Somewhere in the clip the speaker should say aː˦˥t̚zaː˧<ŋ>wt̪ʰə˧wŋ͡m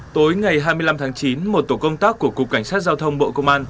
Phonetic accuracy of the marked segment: incorrect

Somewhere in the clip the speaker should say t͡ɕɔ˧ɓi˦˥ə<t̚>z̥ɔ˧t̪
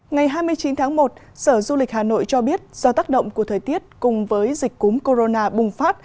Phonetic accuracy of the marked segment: correct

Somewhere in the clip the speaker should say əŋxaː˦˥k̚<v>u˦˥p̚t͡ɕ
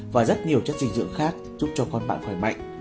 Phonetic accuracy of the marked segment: incorrect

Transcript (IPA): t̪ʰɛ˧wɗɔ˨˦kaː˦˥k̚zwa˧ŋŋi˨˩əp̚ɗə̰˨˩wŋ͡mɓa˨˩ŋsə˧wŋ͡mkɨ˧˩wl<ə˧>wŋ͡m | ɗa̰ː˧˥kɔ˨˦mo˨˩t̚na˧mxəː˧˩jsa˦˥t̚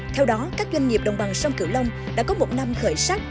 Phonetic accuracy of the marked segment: correct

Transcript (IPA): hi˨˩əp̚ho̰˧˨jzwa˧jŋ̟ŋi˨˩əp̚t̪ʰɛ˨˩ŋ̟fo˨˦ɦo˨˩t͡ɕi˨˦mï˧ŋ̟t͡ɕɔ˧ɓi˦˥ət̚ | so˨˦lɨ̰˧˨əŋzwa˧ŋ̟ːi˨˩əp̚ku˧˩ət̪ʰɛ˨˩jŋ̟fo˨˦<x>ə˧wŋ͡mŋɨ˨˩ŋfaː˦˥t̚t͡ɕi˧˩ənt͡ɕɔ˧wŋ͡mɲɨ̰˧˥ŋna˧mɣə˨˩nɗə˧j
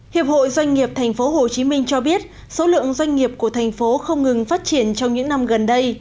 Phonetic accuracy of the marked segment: correct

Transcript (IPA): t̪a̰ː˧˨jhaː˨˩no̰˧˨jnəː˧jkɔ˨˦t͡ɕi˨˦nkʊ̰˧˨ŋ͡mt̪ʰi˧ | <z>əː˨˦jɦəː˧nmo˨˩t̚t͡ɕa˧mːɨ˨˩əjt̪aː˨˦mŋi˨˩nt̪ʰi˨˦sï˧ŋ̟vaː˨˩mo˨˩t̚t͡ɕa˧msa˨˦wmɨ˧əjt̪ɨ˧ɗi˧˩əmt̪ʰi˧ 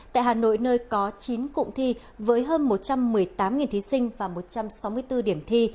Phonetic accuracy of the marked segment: incorrect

